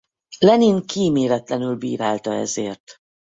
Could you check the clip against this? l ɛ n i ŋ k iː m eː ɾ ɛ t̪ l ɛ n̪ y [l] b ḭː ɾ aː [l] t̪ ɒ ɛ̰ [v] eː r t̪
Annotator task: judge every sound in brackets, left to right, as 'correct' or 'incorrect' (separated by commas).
correct, correct, incorrect